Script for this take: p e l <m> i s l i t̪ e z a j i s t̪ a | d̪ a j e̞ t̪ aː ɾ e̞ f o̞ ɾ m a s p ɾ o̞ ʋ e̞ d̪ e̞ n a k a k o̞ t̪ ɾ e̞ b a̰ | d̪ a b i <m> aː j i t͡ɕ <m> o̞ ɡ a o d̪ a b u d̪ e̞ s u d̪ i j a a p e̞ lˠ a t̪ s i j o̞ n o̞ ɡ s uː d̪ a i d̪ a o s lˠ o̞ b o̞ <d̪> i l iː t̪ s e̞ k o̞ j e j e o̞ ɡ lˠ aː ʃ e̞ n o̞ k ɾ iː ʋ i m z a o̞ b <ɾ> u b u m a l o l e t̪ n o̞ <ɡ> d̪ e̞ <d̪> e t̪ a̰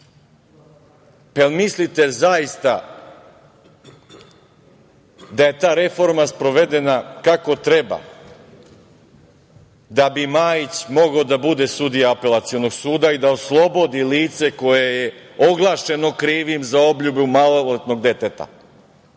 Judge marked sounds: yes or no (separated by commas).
yes, yes, yes, yes, no, yes, no